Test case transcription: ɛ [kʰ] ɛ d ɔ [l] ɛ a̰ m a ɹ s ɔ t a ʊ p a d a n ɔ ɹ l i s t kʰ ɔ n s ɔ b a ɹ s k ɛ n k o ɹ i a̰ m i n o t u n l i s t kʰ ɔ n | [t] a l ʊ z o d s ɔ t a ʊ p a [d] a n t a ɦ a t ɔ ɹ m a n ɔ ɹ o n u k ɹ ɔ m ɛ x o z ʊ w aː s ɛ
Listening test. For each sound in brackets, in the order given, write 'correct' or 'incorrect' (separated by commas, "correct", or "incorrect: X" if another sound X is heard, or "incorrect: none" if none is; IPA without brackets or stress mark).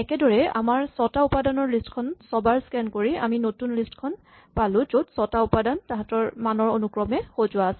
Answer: incorrect: k, incorrect: ɹ, incorrect: p, correct